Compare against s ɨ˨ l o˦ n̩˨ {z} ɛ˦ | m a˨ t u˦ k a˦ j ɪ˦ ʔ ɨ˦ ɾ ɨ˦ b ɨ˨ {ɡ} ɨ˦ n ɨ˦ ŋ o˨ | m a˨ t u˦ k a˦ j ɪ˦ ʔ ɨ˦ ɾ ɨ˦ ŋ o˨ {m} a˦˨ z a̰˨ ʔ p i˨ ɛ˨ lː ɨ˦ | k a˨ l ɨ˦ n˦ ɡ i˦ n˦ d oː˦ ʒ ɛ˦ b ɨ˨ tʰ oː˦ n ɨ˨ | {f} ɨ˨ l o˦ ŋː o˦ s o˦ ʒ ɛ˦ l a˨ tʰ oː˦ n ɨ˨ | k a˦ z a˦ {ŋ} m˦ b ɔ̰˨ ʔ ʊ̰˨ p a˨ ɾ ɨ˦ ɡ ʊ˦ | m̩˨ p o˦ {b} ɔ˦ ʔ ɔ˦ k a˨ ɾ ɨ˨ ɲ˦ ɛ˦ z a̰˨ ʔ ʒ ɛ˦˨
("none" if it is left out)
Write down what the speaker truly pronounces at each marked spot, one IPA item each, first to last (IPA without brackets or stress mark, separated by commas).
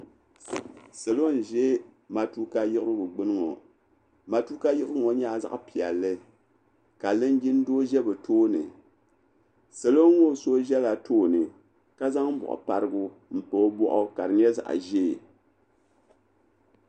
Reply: ʒ, ɡ͡b, ɲ, s, ŋ, b